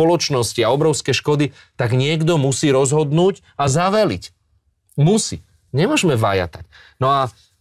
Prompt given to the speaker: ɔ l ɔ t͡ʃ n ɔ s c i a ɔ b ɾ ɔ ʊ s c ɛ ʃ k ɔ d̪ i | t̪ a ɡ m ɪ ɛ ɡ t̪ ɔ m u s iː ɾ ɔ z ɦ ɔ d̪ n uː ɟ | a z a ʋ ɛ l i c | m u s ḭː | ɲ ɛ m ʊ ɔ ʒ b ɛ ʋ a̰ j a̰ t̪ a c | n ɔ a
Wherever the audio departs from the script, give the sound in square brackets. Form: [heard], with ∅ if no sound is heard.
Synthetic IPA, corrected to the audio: ɔ l ɔ t͡ʃ n ɔ s c i a ɔ b ɾ ɔ ʊ s [k] ɛ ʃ k ɔ d̪ i | t̪ a ɡ [ɲ] ɪ ɛ ɡ [d̪] ɔ m u s iː ɾ ɔ z ɦ ɔ d̪ n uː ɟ | a z a ʋ ɛ l i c | m u s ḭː | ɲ ɛ m ʊ ɔ ʒ [m] ɛ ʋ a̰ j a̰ t̪ a c | n ɔ a